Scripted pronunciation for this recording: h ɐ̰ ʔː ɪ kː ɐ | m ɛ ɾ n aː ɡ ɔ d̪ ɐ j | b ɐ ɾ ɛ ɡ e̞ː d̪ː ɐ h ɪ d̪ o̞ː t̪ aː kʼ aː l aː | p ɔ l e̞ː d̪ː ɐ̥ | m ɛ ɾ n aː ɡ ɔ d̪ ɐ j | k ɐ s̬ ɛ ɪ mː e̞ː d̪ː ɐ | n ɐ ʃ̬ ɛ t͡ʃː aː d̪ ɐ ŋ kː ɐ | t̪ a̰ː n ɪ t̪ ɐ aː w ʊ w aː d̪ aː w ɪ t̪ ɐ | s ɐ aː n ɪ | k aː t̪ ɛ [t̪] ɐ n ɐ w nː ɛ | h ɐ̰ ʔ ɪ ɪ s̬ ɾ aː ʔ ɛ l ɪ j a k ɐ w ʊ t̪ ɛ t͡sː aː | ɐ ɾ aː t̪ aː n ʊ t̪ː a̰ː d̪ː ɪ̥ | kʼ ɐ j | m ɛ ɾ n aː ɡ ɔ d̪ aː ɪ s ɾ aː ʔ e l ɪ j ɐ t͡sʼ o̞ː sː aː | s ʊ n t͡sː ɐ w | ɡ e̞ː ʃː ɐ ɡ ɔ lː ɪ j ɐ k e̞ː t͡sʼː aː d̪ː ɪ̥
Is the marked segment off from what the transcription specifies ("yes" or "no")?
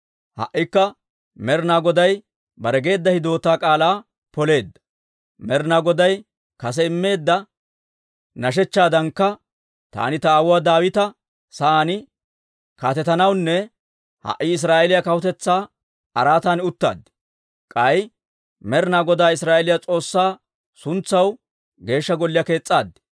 no